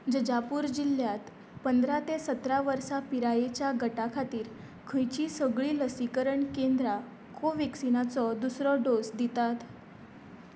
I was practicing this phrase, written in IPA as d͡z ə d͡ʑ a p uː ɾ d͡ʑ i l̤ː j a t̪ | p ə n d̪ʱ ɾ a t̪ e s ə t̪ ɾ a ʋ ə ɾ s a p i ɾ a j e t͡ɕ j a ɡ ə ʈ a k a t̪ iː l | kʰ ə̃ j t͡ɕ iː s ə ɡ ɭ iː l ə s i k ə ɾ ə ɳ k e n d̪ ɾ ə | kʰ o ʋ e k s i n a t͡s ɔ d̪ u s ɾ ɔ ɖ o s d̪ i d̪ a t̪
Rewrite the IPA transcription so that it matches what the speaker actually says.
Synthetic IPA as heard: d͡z ə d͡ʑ a p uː ɾ d͡ʑ i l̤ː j a t̪ | p ə n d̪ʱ ɾ a t̪ e s ə t̪ ɾ a ʋ ə ɾ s a p i ɾ a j e t͡ɕ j a ɡ ə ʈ a kʰ a t̪ iː ɾ | kʰ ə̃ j t͡ɕ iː s ə ɡ ɭ iː l ə s i k ə ɾ ə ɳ k e n d̪ ɾ a | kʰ o ʋ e k s i n a t͡s ɔ d̪ u s ɾ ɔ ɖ o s d̪ i t̪ a t̪